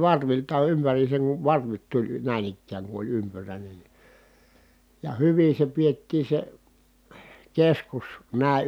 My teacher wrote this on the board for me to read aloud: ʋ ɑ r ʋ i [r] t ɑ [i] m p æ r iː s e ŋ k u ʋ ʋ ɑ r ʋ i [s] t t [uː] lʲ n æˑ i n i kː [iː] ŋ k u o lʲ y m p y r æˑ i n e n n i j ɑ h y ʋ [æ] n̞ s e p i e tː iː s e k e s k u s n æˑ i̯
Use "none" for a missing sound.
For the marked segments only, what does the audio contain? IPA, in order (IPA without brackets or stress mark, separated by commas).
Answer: l, y, none, u, æː, i